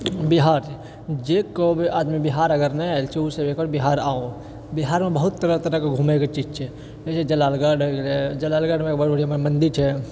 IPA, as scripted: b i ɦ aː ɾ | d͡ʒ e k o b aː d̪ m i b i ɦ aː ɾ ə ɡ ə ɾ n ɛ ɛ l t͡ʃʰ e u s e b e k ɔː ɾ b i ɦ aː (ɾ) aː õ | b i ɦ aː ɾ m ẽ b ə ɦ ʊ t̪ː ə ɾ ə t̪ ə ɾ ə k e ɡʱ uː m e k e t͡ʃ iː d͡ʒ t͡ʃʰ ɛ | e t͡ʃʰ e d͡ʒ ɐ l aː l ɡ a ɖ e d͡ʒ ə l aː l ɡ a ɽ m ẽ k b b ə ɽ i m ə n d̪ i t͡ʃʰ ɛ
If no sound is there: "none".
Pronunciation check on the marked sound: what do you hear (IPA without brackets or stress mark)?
ɾ